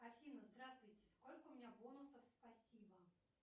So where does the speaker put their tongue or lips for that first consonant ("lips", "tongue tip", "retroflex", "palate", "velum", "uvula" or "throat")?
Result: lips